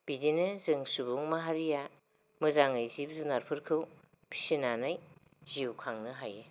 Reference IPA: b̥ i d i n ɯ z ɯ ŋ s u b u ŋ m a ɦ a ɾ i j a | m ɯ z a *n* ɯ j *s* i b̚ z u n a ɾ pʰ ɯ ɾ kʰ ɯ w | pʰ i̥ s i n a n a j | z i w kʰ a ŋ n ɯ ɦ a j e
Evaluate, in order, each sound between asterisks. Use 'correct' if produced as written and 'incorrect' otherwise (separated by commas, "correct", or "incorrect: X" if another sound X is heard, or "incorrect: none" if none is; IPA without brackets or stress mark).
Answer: incorrect: ŋ, incorrect: z